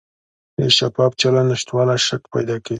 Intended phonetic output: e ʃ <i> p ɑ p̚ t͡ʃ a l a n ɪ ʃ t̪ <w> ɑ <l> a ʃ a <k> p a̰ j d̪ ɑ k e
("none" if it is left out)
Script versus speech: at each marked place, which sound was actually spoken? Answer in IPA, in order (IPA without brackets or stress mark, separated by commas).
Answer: a, w, l, k